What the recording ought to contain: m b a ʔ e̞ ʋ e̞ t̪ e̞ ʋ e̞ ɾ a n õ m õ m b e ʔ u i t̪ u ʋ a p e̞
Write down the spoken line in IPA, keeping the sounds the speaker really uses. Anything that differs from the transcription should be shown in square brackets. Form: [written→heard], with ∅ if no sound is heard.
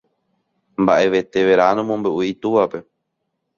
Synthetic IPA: m b a ʔ e̞ ʋ e̞ t̪ e̞ ʋ e̞ ɾ a n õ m õ m b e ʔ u i t̪ u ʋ a p e̞